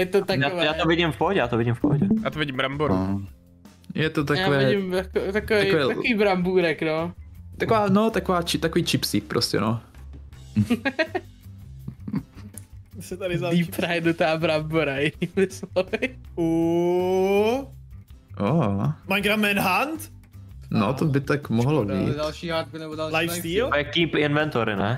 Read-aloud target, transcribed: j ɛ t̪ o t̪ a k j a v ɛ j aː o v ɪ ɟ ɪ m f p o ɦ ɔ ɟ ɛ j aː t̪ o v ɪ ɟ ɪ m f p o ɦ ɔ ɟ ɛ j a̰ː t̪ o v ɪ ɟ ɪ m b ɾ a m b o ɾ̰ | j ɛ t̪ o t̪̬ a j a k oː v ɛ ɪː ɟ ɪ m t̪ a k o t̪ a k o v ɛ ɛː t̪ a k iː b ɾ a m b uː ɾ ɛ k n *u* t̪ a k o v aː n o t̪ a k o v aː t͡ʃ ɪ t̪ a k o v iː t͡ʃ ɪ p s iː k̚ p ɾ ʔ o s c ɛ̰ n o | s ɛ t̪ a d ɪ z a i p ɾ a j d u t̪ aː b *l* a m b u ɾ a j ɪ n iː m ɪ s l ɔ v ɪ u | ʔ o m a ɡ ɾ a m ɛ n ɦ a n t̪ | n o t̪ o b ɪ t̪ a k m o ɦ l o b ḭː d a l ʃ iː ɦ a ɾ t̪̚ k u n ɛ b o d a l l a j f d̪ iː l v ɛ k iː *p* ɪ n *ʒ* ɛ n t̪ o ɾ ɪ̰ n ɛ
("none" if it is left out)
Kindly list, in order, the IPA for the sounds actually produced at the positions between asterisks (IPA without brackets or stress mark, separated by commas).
o, ɾ, p, v